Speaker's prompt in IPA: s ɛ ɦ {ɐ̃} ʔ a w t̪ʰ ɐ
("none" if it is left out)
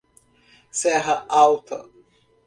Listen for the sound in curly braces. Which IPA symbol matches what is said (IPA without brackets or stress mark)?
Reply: ɐ